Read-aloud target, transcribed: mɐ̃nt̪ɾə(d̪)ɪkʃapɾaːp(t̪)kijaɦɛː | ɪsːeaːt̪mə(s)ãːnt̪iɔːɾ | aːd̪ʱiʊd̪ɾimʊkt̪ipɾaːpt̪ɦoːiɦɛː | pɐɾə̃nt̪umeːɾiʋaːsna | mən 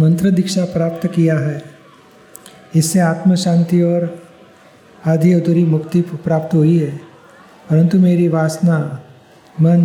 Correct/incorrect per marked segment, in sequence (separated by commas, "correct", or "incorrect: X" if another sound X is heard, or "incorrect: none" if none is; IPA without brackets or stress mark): correct, correct, incorrect: ʃ